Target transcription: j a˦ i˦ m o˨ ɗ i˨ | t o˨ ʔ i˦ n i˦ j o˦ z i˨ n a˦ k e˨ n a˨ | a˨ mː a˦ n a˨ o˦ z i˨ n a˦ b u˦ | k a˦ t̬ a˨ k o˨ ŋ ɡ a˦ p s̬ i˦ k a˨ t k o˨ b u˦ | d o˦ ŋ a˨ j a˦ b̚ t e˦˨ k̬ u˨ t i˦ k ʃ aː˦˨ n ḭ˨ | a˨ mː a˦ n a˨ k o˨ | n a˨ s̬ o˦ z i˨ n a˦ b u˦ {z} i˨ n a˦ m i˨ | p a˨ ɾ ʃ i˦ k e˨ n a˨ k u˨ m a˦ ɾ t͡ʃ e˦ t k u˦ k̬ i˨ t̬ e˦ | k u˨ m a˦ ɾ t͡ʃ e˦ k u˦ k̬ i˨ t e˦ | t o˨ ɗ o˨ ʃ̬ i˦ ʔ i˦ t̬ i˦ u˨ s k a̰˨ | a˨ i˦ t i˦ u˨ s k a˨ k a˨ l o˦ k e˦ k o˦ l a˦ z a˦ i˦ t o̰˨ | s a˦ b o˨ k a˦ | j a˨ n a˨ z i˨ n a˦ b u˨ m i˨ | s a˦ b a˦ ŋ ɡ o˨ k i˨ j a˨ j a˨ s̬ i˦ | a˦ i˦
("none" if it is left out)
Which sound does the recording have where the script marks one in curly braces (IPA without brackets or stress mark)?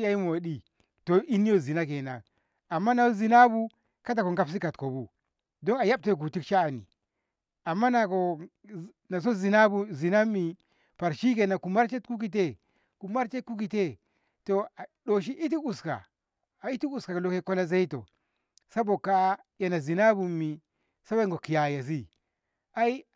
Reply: z